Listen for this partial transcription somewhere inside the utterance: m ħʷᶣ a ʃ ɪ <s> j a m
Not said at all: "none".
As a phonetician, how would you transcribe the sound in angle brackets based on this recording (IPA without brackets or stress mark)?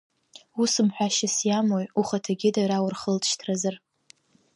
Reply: s